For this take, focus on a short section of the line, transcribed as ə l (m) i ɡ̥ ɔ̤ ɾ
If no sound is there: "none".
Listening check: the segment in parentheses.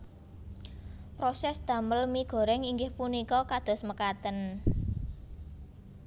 m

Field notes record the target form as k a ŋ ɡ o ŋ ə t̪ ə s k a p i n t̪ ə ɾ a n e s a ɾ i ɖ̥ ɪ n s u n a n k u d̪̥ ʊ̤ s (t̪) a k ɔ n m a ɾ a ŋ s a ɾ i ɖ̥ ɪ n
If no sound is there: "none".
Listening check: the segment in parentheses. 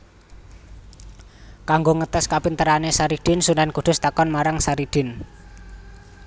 t̪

